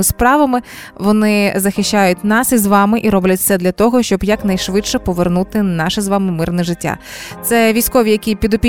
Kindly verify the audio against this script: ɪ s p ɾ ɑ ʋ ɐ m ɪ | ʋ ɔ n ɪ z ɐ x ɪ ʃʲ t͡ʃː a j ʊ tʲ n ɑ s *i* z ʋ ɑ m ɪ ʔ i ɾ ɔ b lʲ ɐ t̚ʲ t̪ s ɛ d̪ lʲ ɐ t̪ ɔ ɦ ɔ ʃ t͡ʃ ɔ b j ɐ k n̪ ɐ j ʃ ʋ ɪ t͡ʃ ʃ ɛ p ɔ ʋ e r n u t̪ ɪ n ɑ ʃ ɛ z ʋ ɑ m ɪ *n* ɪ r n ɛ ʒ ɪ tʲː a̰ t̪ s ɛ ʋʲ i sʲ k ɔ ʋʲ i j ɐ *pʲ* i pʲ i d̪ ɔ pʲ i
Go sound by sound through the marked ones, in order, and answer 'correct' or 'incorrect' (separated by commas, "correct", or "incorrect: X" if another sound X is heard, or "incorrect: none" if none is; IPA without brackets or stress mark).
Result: correct, incorrect: m, incorrect: kʲ